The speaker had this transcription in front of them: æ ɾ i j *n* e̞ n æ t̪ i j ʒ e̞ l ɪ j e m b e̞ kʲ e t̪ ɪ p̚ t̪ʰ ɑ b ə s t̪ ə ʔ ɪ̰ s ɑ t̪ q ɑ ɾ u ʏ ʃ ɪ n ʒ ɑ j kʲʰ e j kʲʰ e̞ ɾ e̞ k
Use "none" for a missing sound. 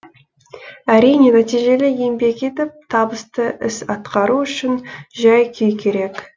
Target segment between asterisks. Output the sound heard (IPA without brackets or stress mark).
n